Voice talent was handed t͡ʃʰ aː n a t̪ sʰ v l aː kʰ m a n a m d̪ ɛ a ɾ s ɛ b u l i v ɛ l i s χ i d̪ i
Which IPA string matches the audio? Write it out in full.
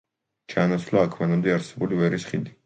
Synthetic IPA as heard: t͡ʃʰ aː n a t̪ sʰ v l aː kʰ m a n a m d̪ ɛ a ɾ s ɛ b u l i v ɛ ɾ i s χ i d̪ i

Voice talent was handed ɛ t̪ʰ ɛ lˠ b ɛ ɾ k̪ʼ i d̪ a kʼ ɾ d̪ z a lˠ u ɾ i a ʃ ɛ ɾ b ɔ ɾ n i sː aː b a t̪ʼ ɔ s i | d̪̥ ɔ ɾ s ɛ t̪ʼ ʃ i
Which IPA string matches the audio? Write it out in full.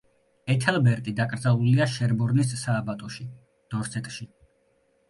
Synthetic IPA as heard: ɛ t̪ʰ ɛ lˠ b ɛ ɾ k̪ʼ i d̪ a kʼ ɾ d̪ z a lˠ u l i a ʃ ɛ ɾ b ɔ ɾ n i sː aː b a t̪ʼ ɔ ʃ i | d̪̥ ɔ ɾ s ɛ t̪ʼ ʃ i

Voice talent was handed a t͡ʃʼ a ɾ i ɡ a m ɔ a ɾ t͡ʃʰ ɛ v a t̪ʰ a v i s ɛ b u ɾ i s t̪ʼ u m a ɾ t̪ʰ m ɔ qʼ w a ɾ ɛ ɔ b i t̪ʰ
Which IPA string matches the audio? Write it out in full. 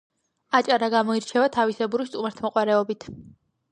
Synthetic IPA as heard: a t͡ʃʼ a ɾ a ɡ a m ɔ i ɾ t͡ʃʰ ɛ v a t̪ʰ a v i s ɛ b u ɾ i s t̪ʼ u m a ɾ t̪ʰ m ɔ qʼ w a ɾ ɛ ɔ b i t̪ʰ

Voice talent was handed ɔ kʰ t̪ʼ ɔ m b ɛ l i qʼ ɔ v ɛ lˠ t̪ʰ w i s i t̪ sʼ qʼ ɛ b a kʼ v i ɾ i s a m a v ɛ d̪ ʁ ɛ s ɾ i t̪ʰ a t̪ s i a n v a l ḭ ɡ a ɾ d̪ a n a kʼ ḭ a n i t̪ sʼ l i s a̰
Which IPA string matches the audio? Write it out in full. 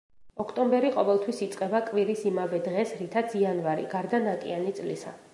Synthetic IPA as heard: ɔ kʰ t̪ʼ ɔ m b ɛ ɾ i qʼ ɔ v ɛ lˠ t̪ʰ w i s i t̪ sʼ qʼ ɛ b a kʼ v i ɾ i s i m a v ɛ d̪ ʁ ɛ s ɾ i t̪ʰ a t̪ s i a n v a ɾ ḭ ɡ a ɾ d̪ a n a kʼ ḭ a n i t̪ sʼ l i s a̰

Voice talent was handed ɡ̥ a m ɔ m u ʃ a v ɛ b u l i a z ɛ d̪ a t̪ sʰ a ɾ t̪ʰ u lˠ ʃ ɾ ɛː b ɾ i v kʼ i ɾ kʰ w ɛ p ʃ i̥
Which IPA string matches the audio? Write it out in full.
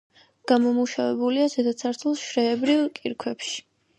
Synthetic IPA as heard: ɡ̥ a m ɔ m u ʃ a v ɛ b u l i a z ɛ d̪ a t̪ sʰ a ɾ t̪ʰ u lˠ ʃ ɾ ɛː b ɾ i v kʼ i ɾ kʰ w ɛ p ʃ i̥

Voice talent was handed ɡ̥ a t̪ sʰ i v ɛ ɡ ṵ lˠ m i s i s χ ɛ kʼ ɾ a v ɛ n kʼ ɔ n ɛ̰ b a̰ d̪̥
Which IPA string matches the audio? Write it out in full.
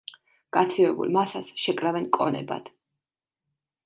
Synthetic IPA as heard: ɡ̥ a t̪ sʰ i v ɛ b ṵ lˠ m a s a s ʃ ɛ kʼ ɾ a v ɛ n kʼ ɔ n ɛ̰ b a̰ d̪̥

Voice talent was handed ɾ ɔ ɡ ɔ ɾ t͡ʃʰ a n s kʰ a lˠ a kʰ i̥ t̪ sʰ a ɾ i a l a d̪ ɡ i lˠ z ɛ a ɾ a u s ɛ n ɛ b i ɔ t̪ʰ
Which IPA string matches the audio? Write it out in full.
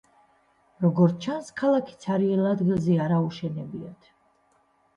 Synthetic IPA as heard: ɾ ɔ ɡ ɔ ɾ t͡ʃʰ a n s kʰ a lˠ a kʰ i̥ t̪ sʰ a ɾ i ɛ l a d̪ ɡ i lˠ z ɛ a ɾ a u ʃ ɛ n ɛ b i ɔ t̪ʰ

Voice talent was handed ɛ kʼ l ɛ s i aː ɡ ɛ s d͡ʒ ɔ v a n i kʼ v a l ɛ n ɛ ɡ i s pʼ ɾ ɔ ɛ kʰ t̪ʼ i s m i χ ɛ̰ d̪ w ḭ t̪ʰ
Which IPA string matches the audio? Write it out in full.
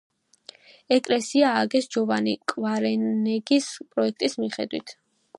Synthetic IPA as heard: ɛ kʼ l ɛ s i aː ɡ ɛ s d͡ʒ ɔ v a n i kʼ v a ɾ ɛ n ɛ ɡ i s pʼ ɾ ɔ ɛ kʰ t̪ʼ i s m i χ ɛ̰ d̪ w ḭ t̪ʰ

